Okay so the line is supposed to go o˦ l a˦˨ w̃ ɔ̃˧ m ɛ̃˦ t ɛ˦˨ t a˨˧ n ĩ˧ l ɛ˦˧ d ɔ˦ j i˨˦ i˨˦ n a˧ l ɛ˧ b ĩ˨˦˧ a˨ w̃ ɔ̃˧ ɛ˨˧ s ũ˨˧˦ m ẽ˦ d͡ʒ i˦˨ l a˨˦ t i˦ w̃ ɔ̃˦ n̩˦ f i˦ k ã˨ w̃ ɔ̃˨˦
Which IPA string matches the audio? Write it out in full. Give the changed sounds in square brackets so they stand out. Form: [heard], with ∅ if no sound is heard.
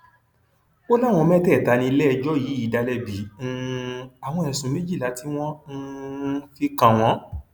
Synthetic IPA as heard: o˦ l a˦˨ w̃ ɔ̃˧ m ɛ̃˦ t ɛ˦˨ t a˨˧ n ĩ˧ l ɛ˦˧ [d͡ʒ] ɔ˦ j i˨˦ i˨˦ [d] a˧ l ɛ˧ b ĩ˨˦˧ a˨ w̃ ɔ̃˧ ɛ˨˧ s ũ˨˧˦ m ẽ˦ d͡ʒ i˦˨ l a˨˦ t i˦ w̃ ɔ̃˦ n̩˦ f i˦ k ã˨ w̃ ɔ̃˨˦